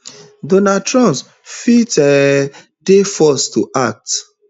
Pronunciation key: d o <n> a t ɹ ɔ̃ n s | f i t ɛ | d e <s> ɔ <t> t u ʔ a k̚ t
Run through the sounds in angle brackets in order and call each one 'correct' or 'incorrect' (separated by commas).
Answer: correct, incorrect, incorrect